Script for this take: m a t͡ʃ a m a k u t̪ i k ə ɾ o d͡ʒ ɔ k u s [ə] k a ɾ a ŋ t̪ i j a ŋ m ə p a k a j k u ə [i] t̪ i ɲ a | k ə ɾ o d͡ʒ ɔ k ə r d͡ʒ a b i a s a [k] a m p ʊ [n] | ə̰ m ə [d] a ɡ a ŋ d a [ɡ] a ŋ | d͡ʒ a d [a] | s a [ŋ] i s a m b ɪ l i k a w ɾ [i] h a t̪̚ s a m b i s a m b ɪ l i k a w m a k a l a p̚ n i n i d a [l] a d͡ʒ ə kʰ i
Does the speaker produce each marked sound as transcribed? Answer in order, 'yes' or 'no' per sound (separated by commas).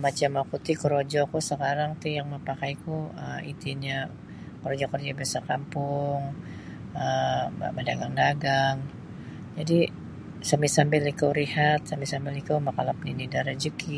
yes, yes, yes, no, yes, yes, no, no, yes, no